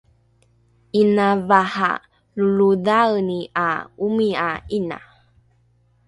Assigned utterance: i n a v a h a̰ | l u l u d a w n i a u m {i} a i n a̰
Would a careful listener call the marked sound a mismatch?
no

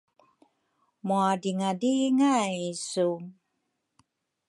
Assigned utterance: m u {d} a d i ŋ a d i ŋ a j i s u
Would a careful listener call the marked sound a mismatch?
yes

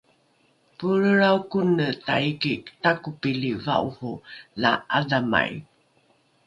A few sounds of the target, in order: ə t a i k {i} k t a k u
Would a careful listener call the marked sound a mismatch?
no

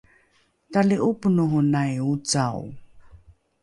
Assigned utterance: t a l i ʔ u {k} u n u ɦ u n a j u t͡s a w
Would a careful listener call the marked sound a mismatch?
yes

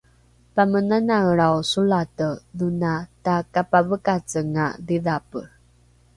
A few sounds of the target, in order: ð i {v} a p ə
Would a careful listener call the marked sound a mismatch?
yes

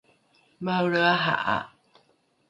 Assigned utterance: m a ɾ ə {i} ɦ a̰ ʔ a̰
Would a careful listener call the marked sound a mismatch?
yes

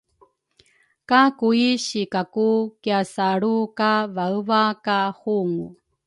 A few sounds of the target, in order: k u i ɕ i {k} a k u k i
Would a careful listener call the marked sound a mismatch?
no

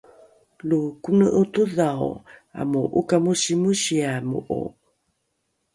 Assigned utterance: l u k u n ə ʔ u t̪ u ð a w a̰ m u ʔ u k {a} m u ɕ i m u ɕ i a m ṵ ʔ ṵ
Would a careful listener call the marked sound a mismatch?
no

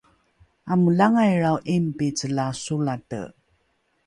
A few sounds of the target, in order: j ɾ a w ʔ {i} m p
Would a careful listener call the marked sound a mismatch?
no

